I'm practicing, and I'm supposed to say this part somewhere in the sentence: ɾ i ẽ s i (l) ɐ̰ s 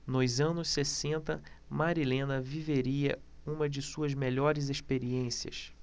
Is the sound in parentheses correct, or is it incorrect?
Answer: incorrect